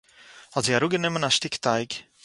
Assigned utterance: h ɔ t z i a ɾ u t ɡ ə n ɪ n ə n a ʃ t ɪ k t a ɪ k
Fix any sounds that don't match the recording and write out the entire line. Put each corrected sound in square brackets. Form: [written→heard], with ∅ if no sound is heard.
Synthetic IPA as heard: h ɔ t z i a ɾ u [t→∅] ɡ ə n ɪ [n→m] ə n a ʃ t ɪ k t a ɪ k